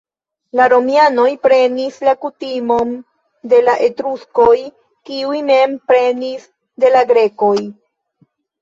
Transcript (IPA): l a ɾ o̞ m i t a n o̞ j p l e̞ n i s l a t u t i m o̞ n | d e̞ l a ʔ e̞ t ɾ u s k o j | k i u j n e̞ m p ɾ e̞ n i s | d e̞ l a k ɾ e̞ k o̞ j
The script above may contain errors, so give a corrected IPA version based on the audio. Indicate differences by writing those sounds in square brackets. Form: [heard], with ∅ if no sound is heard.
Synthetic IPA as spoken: l a ɾ o̞ m i [∅] a n o̞ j p [ɾ] e̞ n i s l a [k] u t i m o̞ n | d e̞ l a ʔ e̞ t ɾ u s k o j | k i u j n e̞ m p ɾ e̞ n i s | d e̞ l a [ɡ] ɾ e̞ k o̞ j